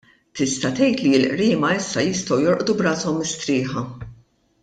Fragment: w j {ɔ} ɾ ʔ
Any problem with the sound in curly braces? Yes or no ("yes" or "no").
no